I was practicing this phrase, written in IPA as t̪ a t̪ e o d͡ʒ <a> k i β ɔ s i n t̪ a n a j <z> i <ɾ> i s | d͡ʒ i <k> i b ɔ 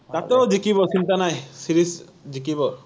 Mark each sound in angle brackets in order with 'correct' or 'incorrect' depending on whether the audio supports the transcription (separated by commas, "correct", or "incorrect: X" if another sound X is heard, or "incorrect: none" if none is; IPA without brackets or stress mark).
incorrect: i, incorrect: s, correct, correct